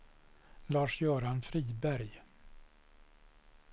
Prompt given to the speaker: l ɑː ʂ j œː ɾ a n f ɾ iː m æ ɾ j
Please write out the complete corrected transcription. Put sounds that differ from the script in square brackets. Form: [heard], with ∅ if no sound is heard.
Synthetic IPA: l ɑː ʂ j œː ɾ a n f ɾ iː [b] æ ɾ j